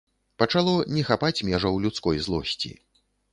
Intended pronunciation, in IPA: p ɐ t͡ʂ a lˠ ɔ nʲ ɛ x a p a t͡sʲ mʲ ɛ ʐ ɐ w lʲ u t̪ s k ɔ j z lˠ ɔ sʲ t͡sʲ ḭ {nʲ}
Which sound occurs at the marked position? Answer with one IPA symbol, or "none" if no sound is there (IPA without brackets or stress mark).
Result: none